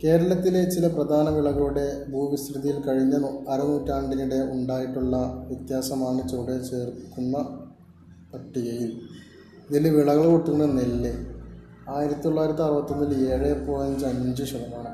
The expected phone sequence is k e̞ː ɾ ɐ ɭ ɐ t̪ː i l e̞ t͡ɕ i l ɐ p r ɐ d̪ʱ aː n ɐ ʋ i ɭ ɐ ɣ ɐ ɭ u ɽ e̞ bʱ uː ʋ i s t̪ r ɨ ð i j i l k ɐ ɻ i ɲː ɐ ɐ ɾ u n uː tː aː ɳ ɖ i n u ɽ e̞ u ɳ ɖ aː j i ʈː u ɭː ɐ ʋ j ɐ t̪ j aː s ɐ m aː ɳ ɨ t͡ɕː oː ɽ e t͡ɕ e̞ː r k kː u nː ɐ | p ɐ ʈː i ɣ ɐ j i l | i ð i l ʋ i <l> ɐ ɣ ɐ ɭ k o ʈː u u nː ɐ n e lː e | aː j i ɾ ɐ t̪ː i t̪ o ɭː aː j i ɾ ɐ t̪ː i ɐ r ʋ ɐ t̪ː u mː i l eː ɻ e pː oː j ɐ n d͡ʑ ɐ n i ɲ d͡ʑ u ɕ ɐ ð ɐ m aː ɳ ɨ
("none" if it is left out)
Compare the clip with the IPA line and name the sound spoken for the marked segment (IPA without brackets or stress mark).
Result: ɭ